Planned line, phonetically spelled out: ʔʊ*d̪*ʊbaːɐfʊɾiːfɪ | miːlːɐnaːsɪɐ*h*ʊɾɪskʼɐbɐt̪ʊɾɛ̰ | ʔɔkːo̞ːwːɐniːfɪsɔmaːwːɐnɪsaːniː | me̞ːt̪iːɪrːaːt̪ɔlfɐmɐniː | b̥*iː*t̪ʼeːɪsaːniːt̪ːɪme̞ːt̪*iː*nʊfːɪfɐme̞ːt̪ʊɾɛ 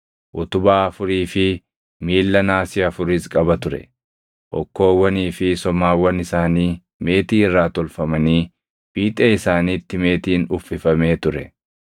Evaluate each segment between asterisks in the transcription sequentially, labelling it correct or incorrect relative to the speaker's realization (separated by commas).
incorrect, incorrect, correct, correct